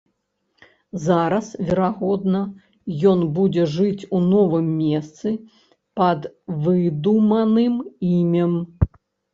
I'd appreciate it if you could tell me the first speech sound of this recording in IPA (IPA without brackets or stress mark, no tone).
z